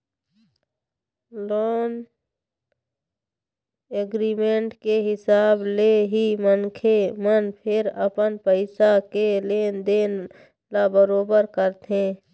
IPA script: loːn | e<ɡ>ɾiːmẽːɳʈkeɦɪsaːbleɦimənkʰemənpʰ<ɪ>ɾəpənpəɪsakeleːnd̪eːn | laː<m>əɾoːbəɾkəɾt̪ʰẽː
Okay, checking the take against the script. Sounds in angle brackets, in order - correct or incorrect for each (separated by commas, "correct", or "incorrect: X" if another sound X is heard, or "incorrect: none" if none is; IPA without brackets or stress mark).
correct, correct, incorrect: b